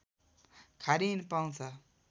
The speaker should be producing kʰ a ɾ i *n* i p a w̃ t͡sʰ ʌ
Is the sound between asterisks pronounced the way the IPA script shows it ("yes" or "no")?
yes